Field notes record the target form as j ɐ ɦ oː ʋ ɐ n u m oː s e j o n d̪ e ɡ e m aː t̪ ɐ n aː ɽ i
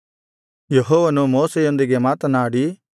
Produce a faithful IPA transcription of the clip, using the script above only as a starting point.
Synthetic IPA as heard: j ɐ ɦ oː ʋ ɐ n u m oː s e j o n d̪ i ɡ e m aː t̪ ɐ n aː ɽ i